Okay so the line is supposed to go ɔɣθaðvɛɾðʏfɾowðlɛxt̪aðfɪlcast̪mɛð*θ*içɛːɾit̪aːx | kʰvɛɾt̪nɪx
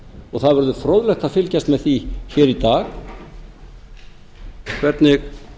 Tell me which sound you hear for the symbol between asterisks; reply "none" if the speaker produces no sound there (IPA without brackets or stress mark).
θ